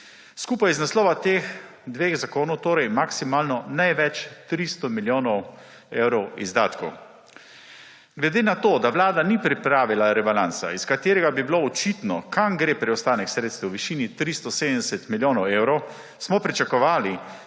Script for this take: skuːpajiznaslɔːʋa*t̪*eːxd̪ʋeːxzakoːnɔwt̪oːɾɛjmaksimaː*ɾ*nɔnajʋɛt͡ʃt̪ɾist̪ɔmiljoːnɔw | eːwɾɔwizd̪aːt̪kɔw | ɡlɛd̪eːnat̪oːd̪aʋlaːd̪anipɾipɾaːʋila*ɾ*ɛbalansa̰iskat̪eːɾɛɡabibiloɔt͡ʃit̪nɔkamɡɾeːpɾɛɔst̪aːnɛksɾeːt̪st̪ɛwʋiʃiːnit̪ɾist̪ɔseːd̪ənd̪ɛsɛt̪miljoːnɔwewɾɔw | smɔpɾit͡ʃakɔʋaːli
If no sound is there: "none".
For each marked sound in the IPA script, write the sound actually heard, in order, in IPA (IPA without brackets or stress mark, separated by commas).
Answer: t̪, l, ɾ